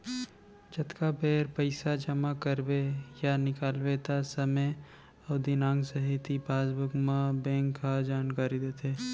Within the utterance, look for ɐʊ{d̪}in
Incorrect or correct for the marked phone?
correct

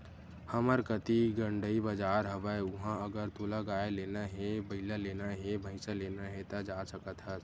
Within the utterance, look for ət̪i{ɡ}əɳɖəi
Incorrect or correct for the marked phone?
correct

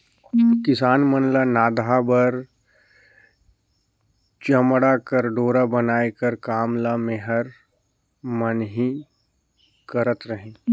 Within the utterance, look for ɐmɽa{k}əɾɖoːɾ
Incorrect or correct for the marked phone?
correct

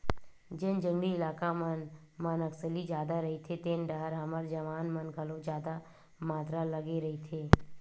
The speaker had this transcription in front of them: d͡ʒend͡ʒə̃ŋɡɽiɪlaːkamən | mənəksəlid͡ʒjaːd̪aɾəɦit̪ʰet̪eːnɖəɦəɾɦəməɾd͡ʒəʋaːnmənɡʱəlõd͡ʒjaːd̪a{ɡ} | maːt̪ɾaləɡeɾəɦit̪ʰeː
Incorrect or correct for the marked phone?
incorrect: none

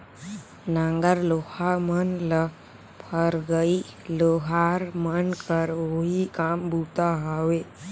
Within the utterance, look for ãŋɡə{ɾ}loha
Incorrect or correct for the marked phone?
correct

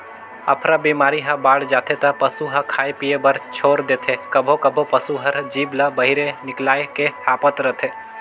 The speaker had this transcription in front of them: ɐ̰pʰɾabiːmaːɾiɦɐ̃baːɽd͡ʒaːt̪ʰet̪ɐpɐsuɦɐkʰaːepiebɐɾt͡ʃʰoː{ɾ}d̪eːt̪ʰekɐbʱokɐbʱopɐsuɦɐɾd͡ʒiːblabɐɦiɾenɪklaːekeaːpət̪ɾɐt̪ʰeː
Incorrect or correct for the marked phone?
correct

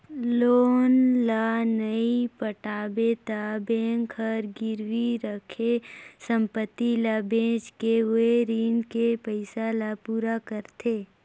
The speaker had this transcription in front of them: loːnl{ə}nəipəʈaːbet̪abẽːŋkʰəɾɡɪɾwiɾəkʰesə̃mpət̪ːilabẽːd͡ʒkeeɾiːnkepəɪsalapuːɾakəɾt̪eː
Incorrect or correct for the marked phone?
incorrect: a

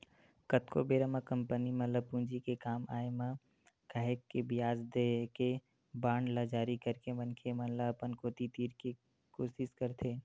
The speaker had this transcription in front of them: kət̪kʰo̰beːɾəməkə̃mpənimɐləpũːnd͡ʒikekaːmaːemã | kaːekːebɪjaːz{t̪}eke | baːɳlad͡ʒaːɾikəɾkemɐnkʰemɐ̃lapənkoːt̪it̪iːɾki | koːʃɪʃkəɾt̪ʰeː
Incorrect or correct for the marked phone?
incorrect: d̪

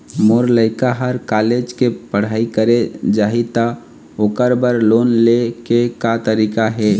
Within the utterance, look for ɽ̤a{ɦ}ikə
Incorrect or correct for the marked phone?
incorrect: none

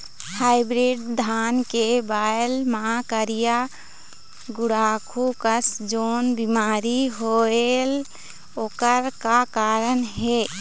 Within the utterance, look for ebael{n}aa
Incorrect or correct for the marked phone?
incorrect: m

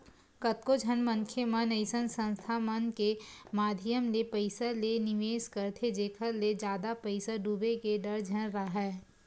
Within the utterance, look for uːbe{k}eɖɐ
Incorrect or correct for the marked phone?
correct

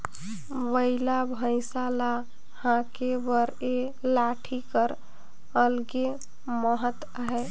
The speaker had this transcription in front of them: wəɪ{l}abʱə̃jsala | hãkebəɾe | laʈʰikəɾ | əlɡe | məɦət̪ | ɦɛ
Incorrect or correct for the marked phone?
correct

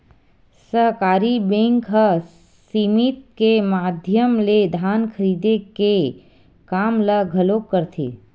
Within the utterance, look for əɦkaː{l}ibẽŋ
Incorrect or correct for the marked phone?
incorrect: ɾ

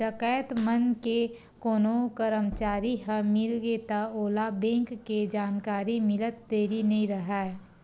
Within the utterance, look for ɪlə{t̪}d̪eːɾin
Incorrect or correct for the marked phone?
correct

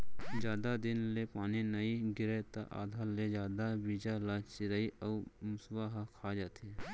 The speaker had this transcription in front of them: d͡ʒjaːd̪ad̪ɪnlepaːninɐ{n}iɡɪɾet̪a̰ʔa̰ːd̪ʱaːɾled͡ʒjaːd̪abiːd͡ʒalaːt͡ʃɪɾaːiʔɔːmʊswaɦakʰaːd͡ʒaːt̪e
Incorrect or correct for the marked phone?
incorrect: none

